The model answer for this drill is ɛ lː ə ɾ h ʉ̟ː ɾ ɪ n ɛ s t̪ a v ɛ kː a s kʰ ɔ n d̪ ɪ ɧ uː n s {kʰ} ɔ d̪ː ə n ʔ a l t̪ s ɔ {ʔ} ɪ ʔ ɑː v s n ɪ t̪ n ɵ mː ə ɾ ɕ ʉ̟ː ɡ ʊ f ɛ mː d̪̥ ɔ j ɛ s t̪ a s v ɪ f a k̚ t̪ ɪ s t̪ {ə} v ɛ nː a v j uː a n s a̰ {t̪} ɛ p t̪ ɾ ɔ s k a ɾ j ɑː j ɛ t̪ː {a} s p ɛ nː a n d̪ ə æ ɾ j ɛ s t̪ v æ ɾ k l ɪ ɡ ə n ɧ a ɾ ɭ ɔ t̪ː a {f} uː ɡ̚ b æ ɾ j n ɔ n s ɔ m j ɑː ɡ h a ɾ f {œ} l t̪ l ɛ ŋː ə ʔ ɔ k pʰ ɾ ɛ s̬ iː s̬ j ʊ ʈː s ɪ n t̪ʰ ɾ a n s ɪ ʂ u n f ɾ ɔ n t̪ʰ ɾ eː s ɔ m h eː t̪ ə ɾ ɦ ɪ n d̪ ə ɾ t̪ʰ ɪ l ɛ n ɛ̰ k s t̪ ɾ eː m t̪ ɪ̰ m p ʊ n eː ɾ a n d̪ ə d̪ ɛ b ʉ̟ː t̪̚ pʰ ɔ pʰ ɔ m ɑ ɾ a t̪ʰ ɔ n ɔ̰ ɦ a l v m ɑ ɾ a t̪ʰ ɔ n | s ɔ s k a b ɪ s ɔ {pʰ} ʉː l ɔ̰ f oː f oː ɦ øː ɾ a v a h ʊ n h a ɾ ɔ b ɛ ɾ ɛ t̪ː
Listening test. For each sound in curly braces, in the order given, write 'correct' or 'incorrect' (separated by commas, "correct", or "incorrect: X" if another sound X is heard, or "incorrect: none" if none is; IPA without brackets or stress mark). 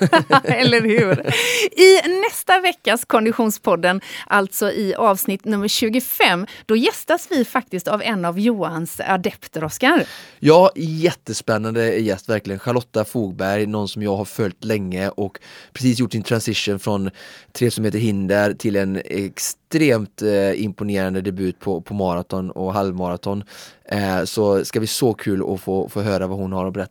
incorrect: pʰ, correct, incorrect: a, incorrect: d̪, incorrect: ə, correct, correct, incorrect: kʰ